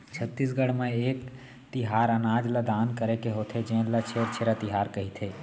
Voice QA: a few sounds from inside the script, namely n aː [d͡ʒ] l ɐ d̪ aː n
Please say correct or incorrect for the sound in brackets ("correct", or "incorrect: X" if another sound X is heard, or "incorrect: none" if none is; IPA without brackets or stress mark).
correct